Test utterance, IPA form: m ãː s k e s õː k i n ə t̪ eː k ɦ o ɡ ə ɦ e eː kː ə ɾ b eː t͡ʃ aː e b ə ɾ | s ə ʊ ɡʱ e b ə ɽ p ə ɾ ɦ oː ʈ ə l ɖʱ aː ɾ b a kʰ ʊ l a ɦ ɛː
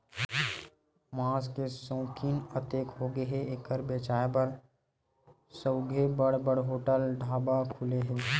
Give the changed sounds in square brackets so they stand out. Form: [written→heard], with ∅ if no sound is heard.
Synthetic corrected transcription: m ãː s k e s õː k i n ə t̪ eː k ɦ o ɡ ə ɦ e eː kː ə ɾ b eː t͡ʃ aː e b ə ɾ | s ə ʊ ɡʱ e b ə ɽ [p→b] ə [ɾ→ɽ] ɦ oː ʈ ə l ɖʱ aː [ɾ→∅] b a kʰ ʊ l [a→e] ɦ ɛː